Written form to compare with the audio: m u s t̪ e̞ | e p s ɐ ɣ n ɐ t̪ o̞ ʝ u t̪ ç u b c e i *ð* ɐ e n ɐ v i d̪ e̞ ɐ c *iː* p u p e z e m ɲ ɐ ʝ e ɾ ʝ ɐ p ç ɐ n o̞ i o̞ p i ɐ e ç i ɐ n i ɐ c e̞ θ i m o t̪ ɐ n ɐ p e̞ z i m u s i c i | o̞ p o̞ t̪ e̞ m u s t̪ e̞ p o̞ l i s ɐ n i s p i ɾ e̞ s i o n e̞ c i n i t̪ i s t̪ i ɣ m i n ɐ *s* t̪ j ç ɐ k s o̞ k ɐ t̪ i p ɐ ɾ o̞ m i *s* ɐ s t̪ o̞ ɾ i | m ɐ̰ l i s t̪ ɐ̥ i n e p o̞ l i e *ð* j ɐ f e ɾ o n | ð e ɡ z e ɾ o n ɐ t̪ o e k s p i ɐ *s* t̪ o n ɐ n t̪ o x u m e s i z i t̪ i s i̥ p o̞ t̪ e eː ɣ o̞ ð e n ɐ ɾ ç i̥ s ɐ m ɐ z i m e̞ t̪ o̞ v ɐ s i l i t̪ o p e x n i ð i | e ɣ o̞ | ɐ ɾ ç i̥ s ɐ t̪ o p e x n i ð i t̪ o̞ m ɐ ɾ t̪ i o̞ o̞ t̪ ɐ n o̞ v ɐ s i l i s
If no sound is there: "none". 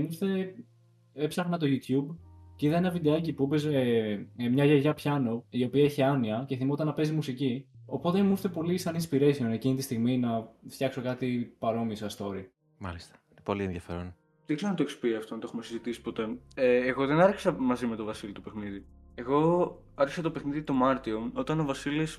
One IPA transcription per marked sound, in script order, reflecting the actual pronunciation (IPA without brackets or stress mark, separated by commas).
ð, i, f, s, ð, f